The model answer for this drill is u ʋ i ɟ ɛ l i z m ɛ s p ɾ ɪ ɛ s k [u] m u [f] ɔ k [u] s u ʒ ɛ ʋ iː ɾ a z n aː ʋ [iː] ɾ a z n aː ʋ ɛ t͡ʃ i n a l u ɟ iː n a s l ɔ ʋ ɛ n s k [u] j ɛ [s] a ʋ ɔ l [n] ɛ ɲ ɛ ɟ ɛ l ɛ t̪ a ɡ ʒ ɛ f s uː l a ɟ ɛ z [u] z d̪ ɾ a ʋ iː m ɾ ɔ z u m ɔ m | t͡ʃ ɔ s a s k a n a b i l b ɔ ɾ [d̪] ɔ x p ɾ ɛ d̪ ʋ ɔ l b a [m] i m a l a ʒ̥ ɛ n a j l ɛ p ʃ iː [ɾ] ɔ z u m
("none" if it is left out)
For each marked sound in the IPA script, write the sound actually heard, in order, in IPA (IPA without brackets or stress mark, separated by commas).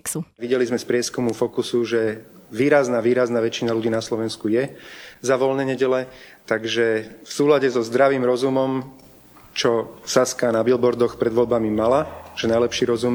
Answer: u, f, u, iː, u, z, n, ɔ, d̪, m, ɾ